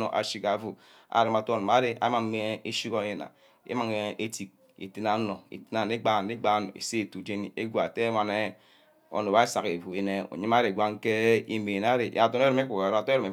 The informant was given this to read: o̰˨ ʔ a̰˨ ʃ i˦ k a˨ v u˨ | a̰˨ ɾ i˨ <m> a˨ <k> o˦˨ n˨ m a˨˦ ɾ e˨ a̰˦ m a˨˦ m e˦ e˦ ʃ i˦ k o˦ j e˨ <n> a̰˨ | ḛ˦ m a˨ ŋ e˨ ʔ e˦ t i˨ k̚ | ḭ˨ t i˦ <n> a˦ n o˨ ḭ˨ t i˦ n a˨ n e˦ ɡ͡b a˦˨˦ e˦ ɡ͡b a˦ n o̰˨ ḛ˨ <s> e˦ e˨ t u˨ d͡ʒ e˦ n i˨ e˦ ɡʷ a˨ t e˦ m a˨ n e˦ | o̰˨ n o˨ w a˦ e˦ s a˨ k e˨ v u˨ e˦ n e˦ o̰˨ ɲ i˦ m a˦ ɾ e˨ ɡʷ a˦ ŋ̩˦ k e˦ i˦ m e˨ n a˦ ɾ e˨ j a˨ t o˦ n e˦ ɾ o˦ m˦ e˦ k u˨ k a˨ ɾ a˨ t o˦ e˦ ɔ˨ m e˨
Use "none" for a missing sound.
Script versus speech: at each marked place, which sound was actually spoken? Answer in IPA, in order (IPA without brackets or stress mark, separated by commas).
m, t, n, n, s